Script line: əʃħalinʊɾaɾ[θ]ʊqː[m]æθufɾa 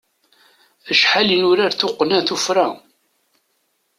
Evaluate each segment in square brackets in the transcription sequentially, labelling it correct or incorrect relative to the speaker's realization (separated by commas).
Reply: correct, incorrect